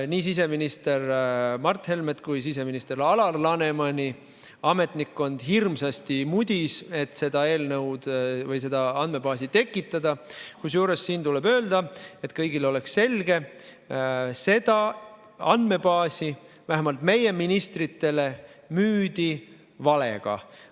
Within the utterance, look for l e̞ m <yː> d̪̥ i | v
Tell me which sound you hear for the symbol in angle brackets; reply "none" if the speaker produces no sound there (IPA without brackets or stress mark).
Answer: yː